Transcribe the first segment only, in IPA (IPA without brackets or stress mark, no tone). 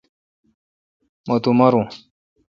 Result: m